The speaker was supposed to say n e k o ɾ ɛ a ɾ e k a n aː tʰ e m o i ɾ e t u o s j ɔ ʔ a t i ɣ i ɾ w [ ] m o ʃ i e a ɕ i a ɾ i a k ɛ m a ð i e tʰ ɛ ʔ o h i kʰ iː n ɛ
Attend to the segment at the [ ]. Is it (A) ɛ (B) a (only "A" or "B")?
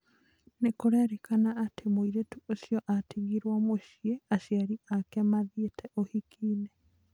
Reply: B